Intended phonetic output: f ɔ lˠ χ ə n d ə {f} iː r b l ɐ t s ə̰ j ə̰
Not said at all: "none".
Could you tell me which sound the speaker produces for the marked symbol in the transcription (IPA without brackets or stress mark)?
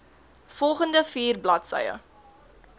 f